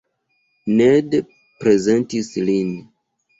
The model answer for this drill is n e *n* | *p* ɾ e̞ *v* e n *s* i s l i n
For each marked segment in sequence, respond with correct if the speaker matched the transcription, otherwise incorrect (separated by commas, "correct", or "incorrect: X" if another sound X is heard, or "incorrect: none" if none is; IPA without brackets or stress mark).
incorrect: d, correct, incorrect: z, incorrect: t